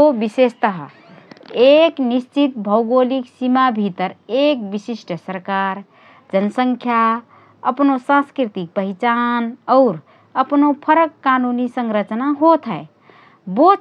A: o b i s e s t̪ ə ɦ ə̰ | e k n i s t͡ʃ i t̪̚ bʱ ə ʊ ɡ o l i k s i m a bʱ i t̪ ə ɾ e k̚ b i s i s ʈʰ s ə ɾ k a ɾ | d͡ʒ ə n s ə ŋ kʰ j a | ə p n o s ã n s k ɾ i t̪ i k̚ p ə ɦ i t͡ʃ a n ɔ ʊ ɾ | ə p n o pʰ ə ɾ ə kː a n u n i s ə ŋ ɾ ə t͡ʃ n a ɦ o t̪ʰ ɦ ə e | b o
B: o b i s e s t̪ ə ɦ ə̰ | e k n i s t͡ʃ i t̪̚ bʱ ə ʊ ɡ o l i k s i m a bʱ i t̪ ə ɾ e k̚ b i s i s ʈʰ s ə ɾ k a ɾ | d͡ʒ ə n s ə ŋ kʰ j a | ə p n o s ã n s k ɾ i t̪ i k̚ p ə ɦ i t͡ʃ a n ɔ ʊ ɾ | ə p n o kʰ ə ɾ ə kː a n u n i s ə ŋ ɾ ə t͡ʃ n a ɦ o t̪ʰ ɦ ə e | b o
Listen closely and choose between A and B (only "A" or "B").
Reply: A